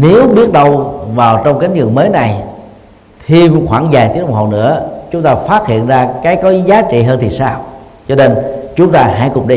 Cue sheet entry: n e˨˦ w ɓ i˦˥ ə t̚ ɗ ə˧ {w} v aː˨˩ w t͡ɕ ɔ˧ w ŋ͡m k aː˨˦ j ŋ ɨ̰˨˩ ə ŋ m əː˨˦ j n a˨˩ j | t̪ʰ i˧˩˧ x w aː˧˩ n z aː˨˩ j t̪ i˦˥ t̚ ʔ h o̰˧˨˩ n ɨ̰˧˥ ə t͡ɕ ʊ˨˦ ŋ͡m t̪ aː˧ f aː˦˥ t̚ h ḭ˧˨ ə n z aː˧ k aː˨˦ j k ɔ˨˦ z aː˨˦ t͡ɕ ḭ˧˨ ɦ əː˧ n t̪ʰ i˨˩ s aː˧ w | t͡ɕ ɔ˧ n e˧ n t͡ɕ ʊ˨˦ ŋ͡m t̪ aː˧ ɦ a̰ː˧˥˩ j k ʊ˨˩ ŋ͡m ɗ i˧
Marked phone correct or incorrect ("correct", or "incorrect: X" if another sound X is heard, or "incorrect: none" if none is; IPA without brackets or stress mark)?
correct